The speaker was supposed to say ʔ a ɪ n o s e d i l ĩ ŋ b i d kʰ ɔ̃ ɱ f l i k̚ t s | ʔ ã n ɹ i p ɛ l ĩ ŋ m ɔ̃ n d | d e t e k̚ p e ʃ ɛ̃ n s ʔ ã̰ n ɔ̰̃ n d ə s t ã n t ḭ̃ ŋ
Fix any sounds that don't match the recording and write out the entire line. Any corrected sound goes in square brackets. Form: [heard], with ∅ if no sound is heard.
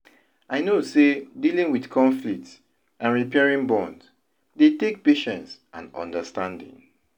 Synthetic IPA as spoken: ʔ a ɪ n o s e d i l ĩ ŋ [w] i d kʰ ɔ̃ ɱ f l i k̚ t s | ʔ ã n ɹ i p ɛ [ɹ] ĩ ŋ [b] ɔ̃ n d | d e t e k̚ p e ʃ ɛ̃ n s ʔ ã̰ n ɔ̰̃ n d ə s t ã n [d] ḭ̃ ŋ